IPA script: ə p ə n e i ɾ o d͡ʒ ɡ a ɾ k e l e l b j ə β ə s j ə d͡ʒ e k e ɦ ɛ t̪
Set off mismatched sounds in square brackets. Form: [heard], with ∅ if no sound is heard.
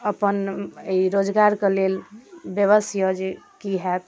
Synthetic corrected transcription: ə p ə n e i ɾ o d͡ʒ ɡ a ɾ k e l e l b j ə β ə s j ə d͡ʒ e k [i] ɦ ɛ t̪